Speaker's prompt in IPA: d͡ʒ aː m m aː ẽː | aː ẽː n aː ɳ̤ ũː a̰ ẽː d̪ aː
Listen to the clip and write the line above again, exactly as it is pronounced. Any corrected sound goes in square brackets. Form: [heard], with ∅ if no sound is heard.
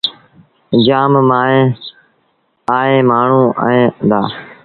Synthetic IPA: d͡ʒ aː m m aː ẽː | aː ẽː [m] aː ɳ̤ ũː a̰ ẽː d̪ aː